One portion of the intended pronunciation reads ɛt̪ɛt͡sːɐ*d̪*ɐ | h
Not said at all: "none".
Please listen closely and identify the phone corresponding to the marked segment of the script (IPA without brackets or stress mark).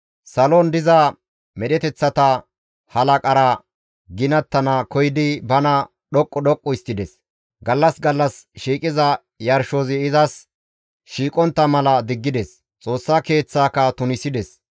t̪